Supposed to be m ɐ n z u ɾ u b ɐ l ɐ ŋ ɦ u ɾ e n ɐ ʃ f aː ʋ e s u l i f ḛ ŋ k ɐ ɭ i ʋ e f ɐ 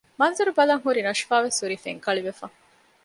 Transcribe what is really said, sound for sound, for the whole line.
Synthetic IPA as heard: m ɐ n z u ɾ u b ɐ l ɐ ŋ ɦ u ɾ i n ɐ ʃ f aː ʋ e s u ɾ i f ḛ ŋ k ɐ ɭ i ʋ e f ɐ